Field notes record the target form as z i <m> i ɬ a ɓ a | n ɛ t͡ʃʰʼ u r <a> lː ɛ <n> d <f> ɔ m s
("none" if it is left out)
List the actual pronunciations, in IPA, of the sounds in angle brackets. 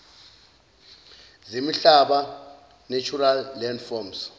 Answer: m, a, n, f

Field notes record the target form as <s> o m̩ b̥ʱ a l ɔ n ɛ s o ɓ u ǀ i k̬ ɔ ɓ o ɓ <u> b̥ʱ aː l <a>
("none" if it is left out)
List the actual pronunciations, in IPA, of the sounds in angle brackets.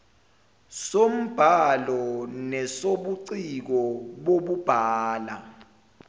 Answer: s, u, a

